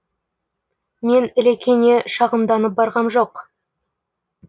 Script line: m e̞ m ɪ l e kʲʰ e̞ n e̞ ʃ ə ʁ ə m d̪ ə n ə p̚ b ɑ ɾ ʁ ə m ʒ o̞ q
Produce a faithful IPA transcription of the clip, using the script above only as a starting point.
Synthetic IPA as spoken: m e̞ n ɪ l e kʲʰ e̞ n e̞ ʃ ɑ ʁ ə m d̪ ɑ n ə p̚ b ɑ ɾ ʁ ɑ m ʒ o̞ q